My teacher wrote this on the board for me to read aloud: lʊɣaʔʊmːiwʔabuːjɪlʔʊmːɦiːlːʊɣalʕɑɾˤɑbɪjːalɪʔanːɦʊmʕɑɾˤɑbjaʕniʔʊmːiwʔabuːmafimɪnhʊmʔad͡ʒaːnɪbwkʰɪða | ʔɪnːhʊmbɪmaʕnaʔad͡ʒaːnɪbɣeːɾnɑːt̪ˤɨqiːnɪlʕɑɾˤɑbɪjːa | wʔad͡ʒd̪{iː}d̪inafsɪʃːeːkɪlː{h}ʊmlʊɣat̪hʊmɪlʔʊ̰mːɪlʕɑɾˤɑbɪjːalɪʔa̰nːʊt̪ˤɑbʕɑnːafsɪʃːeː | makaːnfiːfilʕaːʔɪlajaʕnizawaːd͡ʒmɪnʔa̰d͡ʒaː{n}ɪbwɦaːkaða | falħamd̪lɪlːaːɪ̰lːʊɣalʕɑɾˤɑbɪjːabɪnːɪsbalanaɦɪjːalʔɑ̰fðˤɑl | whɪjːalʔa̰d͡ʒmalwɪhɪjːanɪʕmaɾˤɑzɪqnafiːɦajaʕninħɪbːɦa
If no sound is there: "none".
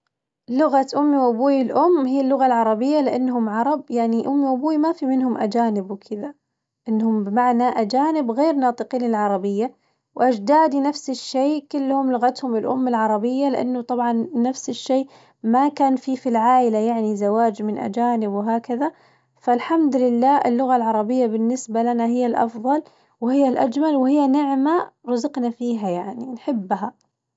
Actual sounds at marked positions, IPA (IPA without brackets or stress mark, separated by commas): aː, h, n